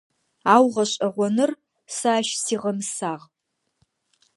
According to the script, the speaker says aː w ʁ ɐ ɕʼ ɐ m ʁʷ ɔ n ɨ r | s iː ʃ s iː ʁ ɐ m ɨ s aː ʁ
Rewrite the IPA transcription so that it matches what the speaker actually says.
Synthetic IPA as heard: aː w ʁ ɐ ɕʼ ɐ ʁʷ ɔ n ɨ r | s aː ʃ s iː ʁ ɐ m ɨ s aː ʁ